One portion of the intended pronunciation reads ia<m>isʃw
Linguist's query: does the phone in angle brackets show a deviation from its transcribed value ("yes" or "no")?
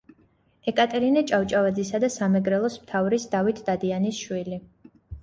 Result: yes